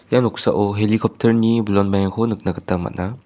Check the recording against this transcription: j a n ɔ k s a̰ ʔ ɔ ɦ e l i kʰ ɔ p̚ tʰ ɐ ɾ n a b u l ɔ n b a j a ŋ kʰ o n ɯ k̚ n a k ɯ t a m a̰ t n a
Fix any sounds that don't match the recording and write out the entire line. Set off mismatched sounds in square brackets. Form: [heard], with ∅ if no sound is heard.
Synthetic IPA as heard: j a n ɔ k s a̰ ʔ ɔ ɦ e l i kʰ ɔ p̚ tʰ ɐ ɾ n [i] b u l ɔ n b a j a ŋ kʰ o n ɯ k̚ n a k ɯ t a m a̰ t n a